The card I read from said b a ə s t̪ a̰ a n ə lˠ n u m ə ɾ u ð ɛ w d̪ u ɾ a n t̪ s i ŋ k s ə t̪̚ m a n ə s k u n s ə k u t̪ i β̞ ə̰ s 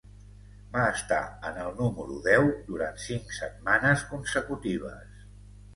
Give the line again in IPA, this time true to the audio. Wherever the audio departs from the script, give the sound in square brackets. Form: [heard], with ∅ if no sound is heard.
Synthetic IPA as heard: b a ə s t̪ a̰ [ə] n ə lˠ n u m ə ɾ u ð ɛ w d̪ u ɾ a n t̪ s i ŋ k s ə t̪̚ m a n ə s k u n s ə k u t̪ i β̞ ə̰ s